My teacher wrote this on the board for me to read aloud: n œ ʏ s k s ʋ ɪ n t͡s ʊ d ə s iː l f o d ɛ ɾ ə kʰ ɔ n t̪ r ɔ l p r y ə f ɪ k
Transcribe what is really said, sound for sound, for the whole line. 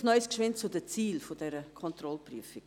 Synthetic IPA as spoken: n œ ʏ s k ʃ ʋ ɪ n t͡s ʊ d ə t͡s iː l f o d ɛ ɾ ə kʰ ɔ n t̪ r ɔ l p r y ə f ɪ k